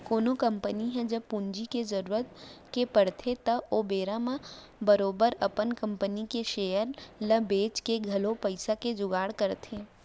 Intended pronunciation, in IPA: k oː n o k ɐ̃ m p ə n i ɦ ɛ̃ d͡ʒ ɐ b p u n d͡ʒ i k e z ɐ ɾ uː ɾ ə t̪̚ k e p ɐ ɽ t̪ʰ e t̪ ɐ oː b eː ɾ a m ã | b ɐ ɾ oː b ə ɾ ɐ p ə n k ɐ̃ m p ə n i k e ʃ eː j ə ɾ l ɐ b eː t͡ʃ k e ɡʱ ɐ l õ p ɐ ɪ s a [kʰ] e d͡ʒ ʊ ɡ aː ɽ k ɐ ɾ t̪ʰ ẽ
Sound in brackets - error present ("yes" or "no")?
yes